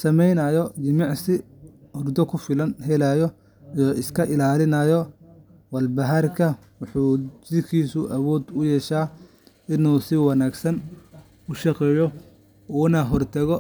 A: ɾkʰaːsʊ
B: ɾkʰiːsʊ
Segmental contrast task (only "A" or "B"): B